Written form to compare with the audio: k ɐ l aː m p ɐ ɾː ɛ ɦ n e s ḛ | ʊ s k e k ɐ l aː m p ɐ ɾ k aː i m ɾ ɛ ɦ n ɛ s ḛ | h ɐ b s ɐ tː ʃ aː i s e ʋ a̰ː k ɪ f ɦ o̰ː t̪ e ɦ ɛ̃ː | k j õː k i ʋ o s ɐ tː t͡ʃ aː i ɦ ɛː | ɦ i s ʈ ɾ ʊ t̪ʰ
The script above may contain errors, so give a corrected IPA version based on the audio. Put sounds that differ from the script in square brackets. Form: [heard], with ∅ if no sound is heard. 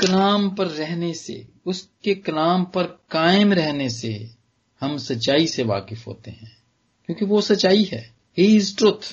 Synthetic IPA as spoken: k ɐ l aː m p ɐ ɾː ɛ ɦ n e s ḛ | ʊ s k e k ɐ l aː m p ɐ ɾ k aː [ɪ] m ɾ ɛ ɦ n [e] s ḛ | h ɐ [m] s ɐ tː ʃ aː i s e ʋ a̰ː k ɪ f ɦ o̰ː t̪ e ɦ ɛ̃ː | k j õː k i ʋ o s ɐ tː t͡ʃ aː i ɦ ɛː | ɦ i s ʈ ɾ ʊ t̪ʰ